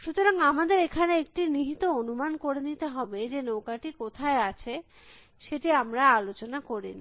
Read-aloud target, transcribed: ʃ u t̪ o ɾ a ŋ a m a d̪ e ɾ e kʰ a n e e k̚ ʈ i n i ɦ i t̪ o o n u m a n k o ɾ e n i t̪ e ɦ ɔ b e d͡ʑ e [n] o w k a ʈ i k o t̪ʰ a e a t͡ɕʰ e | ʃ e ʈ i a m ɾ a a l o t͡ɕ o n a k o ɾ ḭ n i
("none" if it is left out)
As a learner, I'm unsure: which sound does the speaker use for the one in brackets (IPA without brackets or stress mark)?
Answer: n